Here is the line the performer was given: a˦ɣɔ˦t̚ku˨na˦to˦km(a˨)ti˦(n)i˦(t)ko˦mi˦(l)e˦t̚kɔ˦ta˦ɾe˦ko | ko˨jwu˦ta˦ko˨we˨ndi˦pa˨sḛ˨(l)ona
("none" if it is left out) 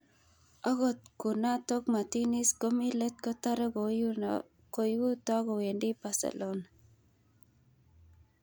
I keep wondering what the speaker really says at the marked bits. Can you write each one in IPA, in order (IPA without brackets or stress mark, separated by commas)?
a˨, n, s, l, l